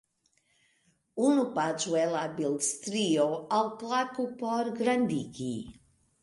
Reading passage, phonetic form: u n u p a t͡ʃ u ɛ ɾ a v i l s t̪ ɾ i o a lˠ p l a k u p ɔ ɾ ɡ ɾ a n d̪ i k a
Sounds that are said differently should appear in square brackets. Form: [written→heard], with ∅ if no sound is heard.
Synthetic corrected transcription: u n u p a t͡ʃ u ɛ [ɾ→l] a [v→b] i l s t̪ ɾ i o a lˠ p l a k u p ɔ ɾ ɡ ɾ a n d̪ i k [a→i]